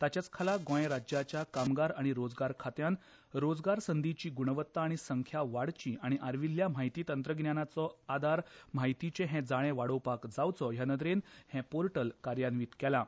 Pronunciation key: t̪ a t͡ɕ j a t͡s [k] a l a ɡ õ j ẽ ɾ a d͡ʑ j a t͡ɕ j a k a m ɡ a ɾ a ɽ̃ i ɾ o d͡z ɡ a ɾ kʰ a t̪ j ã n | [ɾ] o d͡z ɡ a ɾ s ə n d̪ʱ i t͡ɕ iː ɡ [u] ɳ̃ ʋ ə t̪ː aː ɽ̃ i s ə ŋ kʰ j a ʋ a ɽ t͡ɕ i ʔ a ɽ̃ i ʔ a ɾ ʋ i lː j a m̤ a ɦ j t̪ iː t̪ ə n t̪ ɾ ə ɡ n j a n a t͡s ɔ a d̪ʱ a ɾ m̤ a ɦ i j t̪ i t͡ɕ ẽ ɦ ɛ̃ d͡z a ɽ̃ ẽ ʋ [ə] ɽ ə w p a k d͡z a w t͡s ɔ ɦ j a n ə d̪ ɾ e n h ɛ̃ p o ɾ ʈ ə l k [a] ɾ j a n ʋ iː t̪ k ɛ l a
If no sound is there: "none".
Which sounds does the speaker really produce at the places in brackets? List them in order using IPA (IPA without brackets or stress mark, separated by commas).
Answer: kʰ, ɾ, u, a, a